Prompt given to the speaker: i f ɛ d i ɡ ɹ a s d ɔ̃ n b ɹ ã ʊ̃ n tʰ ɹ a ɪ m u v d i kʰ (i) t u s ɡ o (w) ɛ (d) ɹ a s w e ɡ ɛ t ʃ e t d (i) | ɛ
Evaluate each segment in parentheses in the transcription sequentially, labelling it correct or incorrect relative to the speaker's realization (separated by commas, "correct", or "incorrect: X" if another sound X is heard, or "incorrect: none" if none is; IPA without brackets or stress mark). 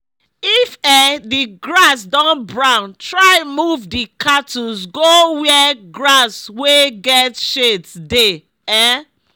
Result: incorrect: a, correct, incorrect: ɡ, incorrect: e